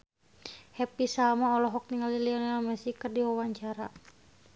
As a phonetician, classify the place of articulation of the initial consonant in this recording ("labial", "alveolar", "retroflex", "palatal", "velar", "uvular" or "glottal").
glottal